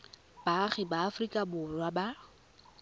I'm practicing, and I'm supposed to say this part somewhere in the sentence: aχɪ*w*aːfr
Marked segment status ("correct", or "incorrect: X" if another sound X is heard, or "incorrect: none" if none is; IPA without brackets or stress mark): incorrect: b